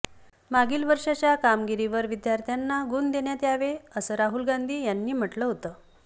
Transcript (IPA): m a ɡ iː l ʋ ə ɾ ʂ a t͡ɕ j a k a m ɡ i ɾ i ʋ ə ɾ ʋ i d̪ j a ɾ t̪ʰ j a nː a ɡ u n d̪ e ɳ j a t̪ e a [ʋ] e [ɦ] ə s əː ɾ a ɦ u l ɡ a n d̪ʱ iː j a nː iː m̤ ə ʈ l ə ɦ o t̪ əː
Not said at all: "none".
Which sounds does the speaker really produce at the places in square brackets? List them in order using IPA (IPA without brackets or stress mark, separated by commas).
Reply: ʋ, none